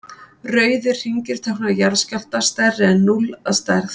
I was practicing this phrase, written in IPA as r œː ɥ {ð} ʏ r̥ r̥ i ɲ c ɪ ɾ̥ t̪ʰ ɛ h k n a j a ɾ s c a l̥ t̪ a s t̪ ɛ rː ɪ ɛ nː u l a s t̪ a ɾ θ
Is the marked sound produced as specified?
yes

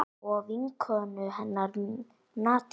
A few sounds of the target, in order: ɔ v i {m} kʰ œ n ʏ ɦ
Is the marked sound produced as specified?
no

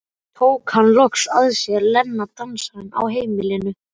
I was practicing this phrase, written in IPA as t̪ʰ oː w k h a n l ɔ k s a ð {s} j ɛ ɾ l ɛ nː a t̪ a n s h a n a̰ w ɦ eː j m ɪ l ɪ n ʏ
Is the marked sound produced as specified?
yes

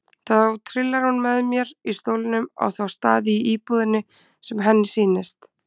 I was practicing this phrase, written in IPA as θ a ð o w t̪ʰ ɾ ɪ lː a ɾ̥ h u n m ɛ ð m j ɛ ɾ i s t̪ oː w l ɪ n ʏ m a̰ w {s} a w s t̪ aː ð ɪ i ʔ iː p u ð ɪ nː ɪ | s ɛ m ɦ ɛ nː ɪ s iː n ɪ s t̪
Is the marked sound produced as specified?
no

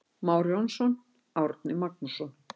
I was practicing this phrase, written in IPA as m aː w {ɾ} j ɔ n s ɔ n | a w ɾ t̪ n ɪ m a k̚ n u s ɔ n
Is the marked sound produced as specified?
yes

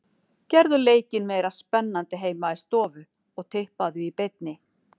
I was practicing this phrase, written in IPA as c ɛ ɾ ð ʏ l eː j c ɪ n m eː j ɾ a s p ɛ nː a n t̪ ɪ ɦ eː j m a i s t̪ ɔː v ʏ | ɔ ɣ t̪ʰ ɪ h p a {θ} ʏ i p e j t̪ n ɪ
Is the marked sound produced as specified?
no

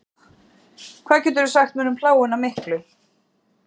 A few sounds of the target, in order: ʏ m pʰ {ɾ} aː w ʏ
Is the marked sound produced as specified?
no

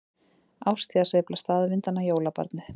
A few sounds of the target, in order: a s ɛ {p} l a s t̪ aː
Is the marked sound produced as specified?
yes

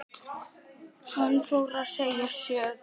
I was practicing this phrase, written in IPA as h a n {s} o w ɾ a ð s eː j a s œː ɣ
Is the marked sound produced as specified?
no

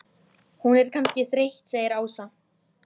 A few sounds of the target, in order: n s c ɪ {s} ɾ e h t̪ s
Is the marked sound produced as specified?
no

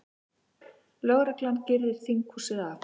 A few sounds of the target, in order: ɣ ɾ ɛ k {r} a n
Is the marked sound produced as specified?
no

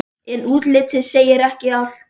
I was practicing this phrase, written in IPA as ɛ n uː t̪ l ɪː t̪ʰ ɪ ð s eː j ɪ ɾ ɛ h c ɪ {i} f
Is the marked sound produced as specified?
no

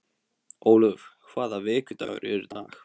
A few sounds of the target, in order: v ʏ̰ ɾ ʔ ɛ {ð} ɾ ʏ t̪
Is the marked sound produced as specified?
no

